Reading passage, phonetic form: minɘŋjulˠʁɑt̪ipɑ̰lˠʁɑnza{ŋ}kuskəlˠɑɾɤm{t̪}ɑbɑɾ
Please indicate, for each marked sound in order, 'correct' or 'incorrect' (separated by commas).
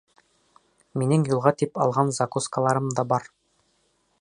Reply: incorrect, incorrect